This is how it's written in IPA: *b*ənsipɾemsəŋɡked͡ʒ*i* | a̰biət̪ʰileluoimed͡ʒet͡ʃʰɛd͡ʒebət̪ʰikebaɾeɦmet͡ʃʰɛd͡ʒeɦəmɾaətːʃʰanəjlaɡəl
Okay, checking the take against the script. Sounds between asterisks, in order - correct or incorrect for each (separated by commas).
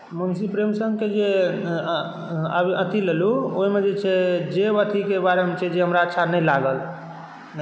incorrect, incorrect